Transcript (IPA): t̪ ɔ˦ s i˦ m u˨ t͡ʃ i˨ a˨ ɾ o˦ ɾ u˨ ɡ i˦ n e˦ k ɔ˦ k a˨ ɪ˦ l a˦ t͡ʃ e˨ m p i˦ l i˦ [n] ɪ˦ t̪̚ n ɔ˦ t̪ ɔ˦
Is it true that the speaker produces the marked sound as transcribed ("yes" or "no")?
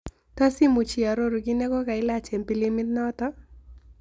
no